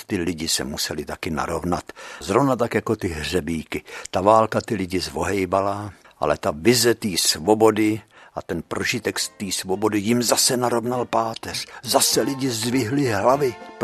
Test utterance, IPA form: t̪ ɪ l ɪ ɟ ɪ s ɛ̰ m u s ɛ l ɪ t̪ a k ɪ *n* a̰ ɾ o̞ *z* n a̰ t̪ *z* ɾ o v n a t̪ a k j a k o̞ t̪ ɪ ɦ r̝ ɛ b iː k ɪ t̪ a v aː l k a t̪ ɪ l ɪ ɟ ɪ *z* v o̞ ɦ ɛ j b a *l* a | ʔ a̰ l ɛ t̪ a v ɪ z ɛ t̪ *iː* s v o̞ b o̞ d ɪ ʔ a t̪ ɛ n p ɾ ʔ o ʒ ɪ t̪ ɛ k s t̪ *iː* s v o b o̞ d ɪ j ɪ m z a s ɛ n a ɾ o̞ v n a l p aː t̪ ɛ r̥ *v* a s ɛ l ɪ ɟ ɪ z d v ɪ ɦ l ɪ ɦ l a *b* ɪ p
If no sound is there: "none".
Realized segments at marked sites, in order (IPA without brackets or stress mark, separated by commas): n, v, z, z, l, iː, iː, z, v